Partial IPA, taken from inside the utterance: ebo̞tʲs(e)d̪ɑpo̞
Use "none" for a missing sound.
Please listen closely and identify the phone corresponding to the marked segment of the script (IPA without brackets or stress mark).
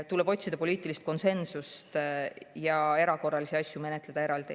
i